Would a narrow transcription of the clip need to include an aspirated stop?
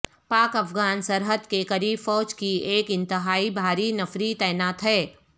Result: no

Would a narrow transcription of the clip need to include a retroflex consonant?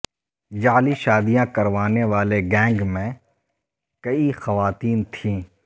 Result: no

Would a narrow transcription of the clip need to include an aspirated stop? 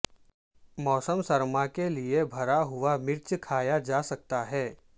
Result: yes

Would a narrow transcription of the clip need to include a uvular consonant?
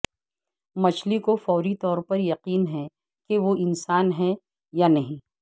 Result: yes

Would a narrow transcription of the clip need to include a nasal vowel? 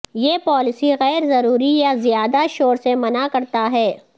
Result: no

